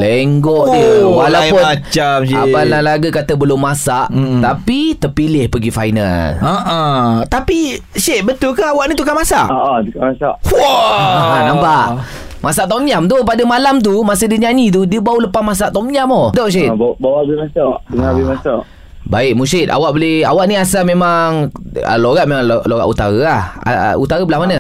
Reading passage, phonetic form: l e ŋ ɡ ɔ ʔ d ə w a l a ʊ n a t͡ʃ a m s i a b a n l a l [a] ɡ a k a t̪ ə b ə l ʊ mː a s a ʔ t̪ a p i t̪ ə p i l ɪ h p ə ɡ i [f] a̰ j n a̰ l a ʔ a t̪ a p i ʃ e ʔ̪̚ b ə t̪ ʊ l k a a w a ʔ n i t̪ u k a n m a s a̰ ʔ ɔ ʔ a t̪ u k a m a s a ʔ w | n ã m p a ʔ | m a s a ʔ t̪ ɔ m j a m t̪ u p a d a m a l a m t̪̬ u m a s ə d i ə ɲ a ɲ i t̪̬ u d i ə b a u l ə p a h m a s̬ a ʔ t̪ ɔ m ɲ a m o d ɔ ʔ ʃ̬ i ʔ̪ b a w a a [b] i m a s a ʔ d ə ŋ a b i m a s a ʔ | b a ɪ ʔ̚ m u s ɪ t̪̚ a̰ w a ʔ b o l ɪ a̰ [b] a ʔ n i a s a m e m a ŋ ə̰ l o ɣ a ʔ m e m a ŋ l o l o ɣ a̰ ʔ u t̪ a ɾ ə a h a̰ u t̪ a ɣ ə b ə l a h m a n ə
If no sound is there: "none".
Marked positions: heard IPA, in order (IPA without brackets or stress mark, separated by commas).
a, f, b, w